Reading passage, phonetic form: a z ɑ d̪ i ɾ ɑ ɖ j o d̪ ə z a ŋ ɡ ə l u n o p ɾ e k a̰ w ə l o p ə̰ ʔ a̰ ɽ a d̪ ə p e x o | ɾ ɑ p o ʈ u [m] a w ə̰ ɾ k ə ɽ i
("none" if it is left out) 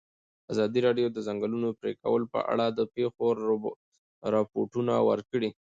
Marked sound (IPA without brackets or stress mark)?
n